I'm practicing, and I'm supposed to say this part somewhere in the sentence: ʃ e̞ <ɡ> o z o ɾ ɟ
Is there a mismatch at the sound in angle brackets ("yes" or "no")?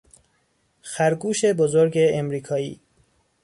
yes